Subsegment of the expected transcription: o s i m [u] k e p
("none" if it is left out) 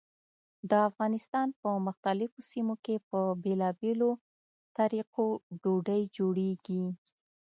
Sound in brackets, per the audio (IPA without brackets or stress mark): o